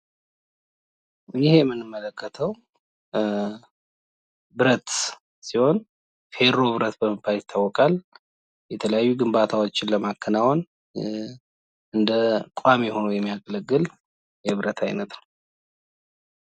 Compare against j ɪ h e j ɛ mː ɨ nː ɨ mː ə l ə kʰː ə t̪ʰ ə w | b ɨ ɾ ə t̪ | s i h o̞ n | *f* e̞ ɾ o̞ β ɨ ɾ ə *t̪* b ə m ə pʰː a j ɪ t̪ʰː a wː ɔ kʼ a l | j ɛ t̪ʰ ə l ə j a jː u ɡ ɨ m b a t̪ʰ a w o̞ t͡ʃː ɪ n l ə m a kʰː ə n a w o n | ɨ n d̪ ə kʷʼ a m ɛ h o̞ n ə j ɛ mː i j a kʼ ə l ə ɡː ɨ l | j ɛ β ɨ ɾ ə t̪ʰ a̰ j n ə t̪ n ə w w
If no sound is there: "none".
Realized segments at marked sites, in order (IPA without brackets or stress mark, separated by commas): f, t̪